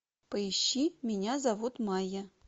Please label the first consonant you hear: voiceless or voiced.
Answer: voiceless